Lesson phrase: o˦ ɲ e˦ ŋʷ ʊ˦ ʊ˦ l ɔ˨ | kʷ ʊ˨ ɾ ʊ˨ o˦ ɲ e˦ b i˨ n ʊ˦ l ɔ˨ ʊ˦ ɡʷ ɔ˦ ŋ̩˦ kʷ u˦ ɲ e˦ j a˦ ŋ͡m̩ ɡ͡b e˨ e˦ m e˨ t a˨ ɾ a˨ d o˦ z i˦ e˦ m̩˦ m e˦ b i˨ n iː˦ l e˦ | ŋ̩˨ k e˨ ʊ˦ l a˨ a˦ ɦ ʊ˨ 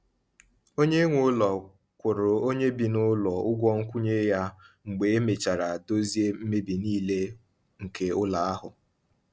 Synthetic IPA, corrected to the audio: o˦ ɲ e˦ ŋʷ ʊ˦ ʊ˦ l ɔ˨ | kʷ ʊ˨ ɾ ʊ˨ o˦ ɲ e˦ b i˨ n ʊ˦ l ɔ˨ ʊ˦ ɡʷ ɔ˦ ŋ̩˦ kʷ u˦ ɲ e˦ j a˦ ŋ͡m̩ ɡ͡b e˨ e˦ m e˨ t͡ʃ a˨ ɾ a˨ d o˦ z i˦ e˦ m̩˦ m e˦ b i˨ n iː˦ l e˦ | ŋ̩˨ k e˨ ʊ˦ l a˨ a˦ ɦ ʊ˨